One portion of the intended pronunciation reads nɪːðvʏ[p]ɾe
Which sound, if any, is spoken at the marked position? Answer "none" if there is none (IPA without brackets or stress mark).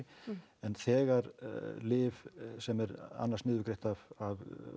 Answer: k